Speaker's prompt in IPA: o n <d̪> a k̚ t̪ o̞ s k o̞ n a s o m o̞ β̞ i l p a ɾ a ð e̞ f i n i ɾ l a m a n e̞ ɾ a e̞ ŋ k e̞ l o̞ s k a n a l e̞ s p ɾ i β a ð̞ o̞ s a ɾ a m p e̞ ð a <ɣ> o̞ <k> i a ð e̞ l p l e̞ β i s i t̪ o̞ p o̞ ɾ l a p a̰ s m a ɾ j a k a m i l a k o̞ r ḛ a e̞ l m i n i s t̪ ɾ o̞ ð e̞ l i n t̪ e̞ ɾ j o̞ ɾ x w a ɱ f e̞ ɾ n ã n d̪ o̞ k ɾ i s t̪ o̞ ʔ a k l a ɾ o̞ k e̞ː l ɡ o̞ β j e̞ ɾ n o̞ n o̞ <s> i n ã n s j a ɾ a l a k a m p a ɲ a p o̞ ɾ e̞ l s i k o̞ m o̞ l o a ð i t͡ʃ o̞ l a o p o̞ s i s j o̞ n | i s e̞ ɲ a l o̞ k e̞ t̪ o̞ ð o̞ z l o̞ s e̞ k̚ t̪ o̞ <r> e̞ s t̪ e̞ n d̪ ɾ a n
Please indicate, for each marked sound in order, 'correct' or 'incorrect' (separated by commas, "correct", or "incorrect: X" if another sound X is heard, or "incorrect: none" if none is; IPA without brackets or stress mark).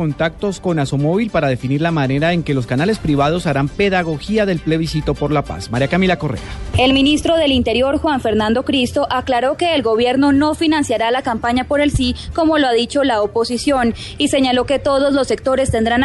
incorrect: t̪, correct, incorrect: x, incorrect: f, incorrect: ɾ